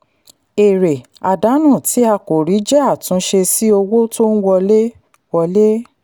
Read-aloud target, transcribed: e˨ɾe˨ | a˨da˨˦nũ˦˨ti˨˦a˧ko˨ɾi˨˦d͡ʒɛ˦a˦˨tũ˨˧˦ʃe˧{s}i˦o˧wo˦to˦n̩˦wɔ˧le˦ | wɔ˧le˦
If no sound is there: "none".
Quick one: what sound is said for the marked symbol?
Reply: s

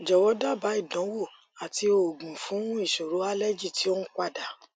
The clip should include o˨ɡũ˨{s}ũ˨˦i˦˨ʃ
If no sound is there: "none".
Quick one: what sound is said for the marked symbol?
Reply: f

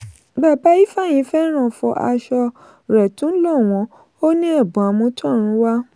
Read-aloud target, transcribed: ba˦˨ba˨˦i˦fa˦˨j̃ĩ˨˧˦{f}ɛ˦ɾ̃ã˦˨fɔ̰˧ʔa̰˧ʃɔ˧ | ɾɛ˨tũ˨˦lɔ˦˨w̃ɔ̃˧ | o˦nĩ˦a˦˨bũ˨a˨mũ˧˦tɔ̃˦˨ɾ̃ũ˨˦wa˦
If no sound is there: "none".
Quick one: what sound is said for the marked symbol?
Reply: f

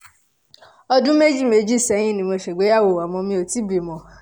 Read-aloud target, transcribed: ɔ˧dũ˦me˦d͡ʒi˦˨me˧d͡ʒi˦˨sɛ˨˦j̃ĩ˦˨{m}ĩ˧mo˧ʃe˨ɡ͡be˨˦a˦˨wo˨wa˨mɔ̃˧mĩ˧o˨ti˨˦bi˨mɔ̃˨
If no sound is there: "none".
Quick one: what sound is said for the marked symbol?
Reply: n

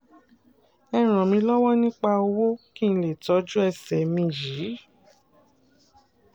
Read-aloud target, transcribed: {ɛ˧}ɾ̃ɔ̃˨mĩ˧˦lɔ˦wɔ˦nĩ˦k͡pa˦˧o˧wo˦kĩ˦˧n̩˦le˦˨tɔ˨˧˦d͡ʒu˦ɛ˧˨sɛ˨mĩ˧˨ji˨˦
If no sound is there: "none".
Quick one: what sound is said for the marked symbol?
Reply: ɛ˧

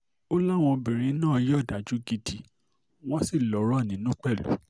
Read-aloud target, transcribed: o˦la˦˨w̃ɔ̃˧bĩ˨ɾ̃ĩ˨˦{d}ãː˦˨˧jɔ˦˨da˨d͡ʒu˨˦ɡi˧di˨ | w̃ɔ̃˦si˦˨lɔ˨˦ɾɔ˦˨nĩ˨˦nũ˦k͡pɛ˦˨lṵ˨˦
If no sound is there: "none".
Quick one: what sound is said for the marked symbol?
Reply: n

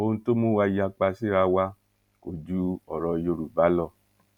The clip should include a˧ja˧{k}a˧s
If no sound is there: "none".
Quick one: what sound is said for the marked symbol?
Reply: k͡p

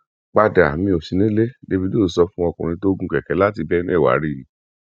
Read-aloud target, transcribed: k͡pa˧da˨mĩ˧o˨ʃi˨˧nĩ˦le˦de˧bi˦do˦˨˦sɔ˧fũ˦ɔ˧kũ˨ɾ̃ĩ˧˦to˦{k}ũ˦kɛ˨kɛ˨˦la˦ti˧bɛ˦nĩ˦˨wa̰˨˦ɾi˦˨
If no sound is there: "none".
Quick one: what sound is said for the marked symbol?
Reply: ɡ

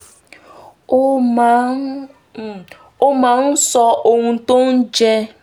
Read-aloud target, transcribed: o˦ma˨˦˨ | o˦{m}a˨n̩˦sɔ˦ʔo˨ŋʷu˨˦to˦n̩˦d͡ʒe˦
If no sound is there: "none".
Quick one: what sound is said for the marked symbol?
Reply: m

